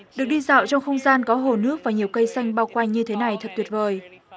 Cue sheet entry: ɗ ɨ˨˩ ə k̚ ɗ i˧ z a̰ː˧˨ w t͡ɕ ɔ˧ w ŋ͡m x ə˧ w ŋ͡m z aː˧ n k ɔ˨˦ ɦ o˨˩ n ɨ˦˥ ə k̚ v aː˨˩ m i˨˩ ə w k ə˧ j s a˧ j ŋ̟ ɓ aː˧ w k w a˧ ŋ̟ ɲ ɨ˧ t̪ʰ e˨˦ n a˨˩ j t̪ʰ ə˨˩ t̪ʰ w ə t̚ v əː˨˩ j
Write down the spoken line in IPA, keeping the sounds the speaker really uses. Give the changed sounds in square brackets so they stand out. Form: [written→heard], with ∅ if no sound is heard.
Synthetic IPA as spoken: ɗ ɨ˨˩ ə k̚ ɗ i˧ z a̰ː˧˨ w t͡ɕ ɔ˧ w ŋ͡m x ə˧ w ŋ͡m z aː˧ n k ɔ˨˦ ɦ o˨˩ n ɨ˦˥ ə k̚ v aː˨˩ [m→ɲ] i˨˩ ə w k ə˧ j s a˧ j ŋ̟ ɓ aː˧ w k w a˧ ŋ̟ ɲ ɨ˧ t̪ʰ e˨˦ n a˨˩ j t̪ʰ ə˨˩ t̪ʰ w ə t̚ v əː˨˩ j